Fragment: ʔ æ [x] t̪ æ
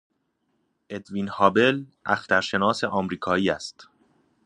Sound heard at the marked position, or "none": x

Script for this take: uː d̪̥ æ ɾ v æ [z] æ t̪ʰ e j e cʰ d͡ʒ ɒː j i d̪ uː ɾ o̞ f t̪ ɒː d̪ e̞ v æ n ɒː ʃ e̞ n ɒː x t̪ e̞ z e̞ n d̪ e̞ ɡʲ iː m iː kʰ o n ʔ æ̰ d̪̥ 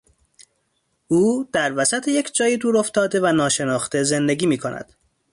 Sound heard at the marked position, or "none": s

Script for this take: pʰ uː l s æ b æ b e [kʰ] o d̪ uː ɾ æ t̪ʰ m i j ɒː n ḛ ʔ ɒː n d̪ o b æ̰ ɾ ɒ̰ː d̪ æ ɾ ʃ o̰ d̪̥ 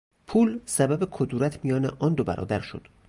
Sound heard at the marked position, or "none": kʰ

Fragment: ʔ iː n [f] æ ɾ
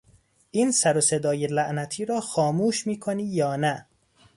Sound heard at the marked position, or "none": s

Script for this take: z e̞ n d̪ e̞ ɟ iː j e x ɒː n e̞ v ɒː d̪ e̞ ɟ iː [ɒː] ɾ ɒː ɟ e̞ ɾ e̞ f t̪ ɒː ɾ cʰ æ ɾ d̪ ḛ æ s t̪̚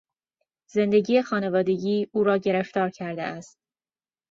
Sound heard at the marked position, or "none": uː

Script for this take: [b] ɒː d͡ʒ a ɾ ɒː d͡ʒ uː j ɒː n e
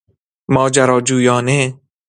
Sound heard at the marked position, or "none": m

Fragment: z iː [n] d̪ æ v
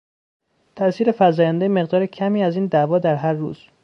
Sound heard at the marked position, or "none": n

